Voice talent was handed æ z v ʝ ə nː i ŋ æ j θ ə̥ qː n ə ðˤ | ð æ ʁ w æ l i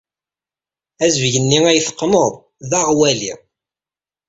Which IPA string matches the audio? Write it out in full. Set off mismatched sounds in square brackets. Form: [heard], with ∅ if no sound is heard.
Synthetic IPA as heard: æ z v ʝ ə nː i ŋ æ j θ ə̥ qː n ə ðˤ | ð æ ʁ w æ l i